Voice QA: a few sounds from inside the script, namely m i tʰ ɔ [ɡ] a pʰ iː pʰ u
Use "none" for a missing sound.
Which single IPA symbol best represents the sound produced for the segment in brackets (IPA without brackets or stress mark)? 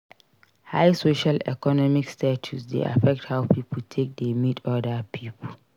d